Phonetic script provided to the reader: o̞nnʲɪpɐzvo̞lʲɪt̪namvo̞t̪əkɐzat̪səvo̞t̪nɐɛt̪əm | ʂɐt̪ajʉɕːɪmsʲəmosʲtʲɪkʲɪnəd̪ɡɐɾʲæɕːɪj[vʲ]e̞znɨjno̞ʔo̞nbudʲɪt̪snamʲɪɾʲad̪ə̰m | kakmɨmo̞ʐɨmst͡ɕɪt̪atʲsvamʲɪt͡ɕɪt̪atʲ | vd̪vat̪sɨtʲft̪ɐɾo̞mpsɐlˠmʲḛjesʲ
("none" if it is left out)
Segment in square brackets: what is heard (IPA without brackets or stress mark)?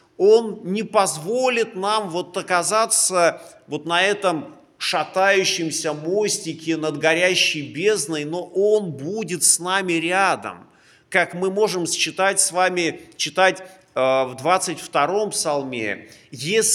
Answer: bʲ